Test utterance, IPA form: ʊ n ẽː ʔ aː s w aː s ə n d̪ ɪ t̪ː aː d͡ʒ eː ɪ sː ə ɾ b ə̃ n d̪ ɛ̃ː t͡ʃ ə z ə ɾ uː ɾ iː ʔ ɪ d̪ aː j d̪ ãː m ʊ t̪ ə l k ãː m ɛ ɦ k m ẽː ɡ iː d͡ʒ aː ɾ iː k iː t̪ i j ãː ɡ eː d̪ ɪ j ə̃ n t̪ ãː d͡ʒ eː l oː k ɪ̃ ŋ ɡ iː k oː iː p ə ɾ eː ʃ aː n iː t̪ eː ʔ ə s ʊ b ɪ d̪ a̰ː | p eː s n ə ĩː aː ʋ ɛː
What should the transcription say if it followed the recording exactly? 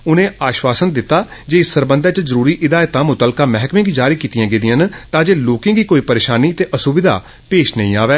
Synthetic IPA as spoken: ʊ n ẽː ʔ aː ʃ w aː s ə n d̪ ɪ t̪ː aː d͡ʒ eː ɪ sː ə ɾ b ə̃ n d̪ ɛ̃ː t͡ʃ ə z ə ɾ uː ɾ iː ʔ ɪ d̪ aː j t̪ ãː m ʊ t̪ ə l k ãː m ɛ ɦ k m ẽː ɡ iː d͡ʒ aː ɾ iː k iː t̪ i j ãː ɡ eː d̪ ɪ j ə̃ n t̪ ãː d͡ʒ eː l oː k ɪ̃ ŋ ɡ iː k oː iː p ə ɾ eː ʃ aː n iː t̪ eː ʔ ə s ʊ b ɪ d̪ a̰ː | p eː ʃ n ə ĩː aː ʋ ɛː